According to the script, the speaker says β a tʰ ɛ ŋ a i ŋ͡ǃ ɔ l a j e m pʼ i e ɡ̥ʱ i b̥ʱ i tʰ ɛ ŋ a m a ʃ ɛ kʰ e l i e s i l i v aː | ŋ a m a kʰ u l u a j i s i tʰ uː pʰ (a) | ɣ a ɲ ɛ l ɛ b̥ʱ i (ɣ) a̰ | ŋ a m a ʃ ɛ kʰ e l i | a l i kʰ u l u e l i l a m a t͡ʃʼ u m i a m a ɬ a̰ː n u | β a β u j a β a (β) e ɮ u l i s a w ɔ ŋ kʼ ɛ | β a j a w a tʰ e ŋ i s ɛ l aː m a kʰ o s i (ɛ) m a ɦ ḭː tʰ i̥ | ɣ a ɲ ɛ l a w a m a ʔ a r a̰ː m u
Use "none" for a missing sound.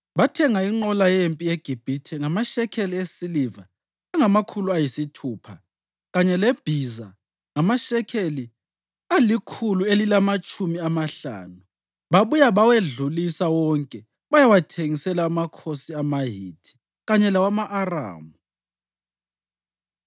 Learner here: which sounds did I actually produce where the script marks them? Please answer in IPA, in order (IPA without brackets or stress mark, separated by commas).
a, z, w, a